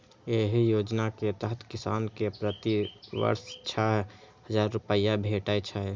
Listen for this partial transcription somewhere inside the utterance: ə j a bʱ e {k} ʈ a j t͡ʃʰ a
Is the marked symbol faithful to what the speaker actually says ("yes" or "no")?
no